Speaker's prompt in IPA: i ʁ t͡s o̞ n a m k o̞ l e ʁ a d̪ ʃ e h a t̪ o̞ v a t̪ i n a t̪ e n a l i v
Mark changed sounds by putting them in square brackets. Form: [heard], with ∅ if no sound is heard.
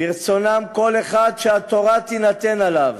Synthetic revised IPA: i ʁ t͡s o̞ n a m k o̞ l e [χ] a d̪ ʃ e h a t̪ o̞ [ʁ] a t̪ i n a t̪ e n a l [a] v